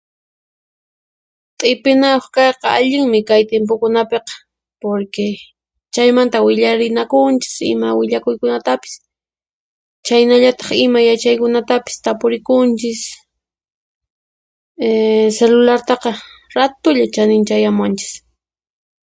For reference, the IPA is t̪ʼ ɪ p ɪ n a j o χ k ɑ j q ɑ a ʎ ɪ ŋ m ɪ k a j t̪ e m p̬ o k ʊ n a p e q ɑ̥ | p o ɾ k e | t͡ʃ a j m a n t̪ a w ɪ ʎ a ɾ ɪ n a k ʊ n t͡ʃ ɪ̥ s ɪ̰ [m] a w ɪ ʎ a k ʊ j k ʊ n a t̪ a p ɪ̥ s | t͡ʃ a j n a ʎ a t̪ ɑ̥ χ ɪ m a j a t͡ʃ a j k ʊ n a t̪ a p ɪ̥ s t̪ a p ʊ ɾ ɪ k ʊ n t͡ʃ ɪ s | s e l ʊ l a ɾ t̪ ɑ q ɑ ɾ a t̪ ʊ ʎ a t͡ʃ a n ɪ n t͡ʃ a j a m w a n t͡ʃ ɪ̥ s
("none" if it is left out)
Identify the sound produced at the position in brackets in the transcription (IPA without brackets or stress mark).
m